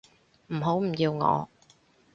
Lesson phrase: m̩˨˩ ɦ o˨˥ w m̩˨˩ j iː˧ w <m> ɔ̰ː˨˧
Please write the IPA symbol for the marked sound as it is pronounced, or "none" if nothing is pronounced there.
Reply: ŋ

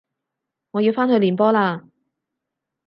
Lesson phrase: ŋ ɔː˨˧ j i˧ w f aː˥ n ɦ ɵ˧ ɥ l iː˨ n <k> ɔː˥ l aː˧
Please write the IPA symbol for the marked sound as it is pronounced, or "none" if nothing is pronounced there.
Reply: p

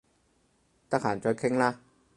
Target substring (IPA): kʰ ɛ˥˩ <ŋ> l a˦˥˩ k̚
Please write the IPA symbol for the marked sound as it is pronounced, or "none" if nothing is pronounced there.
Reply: ŋ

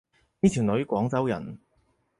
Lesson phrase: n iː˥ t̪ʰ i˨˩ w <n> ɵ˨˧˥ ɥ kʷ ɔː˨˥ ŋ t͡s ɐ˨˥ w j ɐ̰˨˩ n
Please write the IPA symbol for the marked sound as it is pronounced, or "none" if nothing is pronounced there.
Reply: n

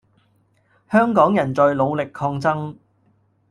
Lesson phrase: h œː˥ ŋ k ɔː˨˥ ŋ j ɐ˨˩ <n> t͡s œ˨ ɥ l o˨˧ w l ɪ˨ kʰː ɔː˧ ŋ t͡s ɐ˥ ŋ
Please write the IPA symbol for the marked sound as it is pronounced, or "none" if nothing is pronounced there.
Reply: n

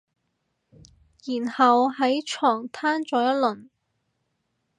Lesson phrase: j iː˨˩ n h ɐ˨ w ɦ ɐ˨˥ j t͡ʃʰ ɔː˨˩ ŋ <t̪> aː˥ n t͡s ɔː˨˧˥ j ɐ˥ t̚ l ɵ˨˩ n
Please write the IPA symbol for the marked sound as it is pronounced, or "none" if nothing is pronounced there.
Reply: t̪ʰ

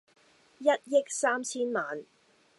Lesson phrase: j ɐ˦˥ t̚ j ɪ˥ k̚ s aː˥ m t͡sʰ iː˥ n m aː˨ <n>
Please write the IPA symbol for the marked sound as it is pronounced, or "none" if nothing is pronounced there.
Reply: n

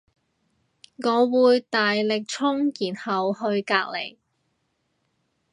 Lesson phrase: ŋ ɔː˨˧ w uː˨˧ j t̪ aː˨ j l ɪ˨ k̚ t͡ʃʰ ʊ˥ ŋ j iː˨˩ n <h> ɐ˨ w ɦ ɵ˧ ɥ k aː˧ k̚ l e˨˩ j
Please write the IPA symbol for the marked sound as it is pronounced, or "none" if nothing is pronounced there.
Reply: h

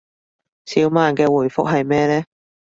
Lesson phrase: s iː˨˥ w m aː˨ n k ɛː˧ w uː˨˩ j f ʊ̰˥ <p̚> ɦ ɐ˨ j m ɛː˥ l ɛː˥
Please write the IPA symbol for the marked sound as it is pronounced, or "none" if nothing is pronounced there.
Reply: k̚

